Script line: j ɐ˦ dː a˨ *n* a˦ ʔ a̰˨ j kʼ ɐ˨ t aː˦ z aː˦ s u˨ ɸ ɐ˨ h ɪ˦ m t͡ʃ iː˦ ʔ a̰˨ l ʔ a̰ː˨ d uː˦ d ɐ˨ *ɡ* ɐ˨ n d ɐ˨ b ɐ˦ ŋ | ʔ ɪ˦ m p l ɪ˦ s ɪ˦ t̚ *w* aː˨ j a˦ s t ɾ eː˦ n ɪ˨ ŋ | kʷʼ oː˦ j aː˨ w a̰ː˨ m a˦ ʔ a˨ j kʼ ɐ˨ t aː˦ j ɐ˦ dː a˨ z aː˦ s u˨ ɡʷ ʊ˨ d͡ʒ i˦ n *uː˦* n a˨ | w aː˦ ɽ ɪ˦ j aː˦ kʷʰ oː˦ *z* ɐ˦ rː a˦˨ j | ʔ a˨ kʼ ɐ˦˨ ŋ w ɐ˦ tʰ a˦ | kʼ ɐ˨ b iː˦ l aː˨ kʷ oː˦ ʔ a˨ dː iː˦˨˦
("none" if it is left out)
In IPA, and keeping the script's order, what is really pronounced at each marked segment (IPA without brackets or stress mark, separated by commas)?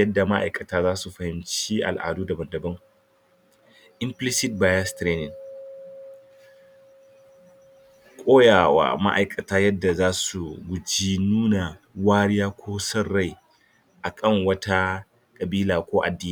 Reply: m, b, b, uː˦, s